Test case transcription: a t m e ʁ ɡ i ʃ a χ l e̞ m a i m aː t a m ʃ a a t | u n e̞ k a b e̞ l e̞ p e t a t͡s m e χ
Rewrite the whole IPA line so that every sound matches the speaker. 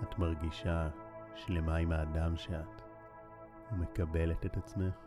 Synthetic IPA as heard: a t m a ʁ ɡ i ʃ a ʃ l e̞ m a i m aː d a m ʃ e a t | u m e̞ k a b e̞ l e̞ t e t a t͡s m e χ